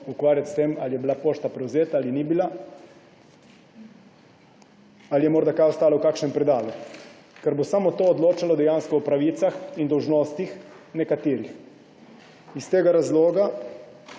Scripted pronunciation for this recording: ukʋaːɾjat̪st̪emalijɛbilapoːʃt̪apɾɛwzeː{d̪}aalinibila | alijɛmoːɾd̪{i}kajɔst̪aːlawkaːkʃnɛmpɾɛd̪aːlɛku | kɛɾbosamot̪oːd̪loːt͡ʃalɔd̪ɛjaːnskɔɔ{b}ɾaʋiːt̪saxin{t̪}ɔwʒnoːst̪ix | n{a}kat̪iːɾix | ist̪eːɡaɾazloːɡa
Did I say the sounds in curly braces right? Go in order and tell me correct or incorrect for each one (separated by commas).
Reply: incorrect, incorrect, incorrect, incorrect, incorrect